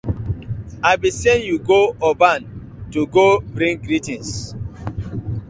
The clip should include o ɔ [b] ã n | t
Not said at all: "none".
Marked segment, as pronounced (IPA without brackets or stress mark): b